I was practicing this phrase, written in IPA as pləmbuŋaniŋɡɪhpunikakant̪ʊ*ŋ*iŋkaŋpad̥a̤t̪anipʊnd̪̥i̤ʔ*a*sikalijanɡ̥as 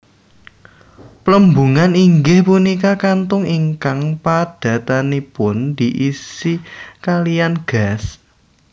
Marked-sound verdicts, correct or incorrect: correct, incorrect: i

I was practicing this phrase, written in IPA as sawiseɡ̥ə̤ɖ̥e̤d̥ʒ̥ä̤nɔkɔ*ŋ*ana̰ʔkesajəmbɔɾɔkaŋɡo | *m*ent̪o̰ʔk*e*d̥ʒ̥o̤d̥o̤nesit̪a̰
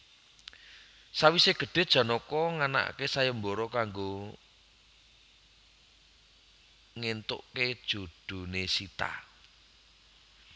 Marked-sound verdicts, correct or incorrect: correct, incorrect: ŋ, correct

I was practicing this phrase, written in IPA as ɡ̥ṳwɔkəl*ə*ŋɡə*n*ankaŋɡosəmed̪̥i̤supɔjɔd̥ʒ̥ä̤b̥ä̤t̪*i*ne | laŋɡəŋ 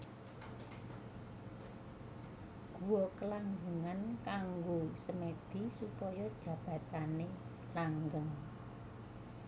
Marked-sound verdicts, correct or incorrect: incorrect: a, incorrect: ŋ, incorrect: a

